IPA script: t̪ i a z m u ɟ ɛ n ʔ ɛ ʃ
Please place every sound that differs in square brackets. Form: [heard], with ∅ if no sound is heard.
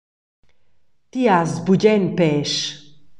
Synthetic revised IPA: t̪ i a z [b] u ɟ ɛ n [p] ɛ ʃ

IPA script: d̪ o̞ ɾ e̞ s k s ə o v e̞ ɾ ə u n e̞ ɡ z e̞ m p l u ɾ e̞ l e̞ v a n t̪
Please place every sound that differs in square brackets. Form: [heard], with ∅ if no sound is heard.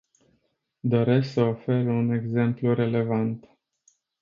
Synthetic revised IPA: d̪ o̞ ɾ e̞ s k s ə o [f] e̞ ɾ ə u n e̞ ɡ z e̞ m p l u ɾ e̞ l e̞ v a n t̪

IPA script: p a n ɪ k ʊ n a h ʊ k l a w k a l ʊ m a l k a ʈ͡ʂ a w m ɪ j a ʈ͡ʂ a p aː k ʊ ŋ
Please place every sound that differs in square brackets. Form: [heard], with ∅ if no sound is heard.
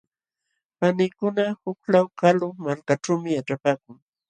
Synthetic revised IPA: p a n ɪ k ʊ n a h ʊ k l a w k a l ʊ m a l k a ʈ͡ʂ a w m ɪ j a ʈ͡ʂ a p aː k ʊ ŋ

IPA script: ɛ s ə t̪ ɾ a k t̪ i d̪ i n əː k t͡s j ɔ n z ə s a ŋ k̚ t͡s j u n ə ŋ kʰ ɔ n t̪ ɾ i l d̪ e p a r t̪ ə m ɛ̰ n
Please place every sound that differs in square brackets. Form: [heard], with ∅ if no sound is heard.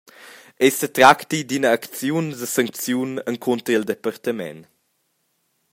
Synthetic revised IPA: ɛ s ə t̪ ɾ a k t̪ i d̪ i n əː k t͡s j [u] n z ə s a ŋ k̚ t͡s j u n ə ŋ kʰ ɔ n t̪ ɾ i l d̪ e p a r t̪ ə m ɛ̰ n

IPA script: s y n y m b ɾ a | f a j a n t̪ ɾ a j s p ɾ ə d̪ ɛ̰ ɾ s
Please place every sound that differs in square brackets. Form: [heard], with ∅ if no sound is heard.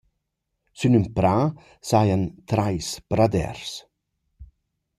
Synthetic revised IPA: s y n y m [p] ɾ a | [s] a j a n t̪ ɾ a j s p ɾ [a] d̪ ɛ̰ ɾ s

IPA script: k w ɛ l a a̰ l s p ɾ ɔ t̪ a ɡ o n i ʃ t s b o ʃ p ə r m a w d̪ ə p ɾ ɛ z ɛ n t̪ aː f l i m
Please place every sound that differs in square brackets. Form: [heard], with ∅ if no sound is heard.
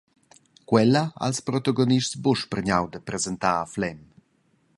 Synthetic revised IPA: k w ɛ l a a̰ l s p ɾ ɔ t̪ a ɡ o n i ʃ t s b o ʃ p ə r [ɲ] a w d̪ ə p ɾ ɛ z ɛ n t̪ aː f l [ɛ] m

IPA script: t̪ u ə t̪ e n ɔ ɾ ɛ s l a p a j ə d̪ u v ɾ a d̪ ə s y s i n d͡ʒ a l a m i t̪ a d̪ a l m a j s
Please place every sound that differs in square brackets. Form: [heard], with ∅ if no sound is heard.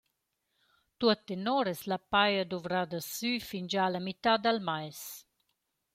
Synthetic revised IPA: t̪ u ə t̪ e n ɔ ɾ ɛ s l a p a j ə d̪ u v ɾ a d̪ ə s y [f] i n d͡ʒ a l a m i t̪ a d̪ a l m a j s

